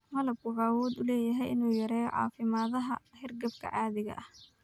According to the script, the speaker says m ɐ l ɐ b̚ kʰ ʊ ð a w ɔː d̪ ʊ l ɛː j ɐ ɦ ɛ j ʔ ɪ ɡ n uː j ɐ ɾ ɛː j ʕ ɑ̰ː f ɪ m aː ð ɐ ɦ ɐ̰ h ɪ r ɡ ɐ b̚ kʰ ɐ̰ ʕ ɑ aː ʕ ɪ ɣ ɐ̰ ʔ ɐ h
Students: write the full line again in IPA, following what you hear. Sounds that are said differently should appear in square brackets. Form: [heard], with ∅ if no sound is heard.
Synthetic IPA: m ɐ l ɐ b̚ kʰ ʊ [ʕ] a w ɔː d̪ ʊ l ɛː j ɐ ɦ ɛ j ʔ ɪ [∅] n uː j ɐ ɾ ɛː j ʕ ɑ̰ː f ɪ m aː ð ɐ ɦ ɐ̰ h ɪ r ɡ ɐ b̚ kʰ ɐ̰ ʕ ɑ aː [ð] ɪ ɣ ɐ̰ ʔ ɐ h